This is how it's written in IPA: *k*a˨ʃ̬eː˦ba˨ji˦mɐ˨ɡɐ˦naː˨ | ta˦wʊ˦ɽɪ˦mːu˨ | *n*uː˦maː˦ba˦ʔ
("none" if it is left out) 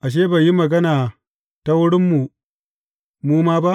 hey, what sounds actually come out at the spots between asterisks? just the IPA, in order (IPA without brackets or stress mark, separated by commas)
ʔ, m